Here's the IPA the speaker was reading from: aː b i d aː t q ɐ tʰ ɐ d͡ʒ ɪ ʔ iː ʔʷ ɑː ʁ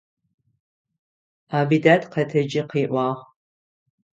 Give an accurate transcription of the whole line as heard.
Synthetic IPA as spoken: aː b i d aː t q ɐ tʰ ɐ d͡ʒ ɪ q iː ʔʷ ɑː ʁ